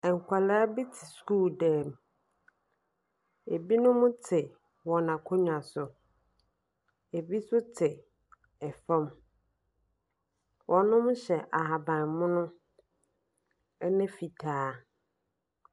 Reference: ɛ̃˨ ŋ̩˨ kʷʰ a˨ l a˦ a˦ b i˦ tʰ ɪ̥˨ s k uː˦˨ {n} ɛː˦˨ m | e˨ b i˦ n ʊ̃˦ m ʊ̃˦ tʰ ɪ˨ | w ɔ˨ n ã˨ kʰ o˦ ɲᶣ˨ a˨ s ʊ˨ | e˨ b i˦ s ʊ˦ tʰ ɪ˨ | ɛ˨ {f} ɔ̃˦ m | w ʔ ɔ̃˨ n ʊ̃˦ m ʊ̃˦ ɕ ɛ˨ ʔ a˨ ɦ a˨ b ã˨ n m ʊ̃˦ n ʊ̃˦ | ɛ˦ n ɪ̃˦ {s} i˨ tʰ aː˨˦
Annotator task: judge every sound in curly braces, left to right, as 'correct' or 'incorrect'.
incorrect: d, correct, incorrect: f

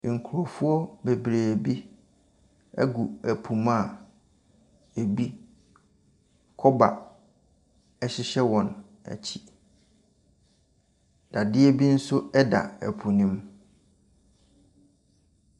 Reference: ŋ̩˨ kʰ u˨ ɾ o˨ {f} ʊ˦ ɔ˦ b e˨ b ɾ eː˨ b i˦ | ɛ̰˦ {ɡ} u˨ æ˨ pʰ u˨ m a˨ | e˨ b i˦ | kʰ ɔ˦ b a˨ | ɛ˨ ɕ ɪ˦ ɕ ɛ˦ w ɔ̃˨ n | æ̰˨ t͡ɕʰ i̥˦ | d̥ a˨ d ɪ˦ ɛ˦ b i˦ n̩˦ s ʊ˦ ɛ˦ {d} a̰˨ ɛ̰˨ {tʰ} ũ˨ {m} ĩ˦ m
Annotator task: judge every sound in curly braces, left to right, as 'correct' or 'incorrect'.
correct, correct, correct, incorrect: pʰ, incorrect: n

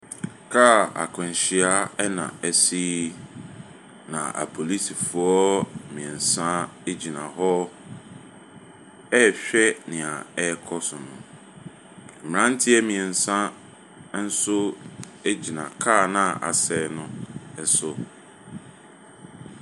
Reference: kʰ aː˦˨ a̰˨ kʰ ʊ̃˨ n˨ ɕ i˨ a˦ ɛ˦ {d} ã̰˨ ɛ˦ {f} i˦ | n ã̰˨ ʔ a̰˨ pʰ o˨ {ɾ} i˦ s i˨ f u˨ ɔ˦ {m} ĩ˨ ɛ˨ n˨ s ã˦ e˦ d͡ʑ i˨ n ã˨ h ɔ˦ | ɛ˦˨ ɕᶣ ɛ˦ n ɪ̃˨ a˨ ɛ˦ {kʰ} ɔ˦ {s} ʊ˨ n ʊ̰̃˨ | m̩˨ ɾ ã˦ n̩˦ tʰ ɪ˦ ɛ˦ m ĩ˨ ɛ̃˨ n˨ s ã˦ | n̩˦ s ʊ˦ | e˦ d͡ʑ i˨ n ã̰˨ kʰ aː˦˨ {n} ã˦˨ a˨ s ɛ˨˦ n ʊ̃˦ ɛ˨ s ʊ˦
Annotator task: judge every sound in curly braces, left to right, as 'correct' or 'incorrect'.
incorrect: n, incorrect: s, incorrect: l, correct, correct, correct, correct

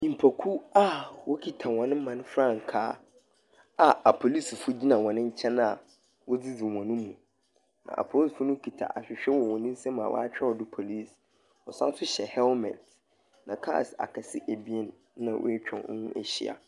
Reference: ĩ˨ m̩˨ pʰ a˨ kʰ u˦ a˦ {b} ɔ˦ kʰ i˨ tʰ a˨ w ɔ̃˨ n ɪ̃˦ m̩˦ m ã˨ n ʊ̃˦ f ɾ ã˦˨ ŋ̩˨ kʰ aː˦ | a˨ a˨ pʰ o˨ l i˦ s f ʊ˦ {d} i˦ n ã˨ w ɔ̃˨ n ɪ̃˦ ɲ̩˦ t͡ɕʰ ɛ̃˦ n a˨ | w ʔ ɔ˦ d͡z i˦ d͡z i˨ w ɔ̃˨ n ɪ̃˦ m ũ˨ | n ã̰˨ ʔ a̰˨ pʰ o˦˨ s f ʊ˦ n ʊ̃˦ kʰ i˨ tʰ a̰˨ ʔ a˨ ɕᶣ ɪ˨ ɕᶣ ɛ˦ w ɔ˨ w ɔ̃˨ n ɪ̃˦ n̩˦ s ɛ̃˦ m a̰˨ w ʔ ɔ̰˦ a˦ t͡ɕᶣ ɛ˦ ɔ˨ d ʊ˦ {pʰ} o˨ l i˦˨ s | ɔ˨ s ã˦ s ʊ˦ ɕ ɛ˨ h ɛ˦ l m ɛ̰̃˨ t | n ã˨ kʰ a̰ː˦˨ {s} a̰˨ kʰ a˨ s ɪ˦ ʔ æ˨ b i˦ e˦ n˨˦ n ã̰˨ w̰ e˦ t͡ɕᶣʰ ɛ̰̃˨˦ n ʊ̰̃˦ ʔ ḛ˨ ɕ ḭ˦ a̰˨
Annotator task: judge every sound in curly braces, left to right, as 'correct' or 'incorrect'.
incorrect: w, incorrect: d͡ʑ, correct, correct

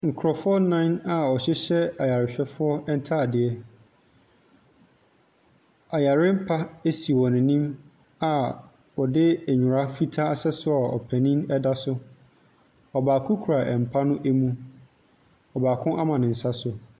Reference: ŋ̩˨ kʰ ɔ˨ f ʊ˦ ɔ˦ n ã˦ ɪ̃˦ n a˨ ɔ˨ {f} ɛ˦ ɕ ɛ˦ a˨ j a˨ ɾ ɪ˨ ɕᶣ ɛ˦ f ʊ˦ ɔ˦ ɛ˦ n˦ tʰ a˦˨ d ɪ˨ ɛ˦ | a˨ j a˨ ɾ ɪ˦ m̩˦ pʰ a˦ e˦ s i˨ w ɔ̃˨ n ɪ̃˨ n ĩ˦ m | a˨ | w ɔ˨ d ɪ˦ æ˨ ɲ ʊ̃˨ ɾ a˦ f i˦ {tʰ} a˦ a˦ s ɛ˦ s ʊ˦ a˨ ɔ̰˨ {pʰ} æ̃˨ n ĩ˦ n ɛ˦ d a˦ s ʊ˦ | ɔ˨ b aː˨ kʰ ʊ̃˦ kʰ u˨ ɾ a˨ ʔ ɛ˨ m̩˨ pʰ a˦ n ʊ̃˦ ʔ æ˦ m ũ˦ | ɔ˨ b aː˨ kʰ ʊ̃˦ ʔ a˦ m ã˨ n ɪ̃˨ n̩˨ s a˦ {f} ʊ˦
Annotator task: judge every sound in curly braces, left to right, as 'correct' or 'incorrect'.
incorrect: ɕ, correct, correct, incorrect: s

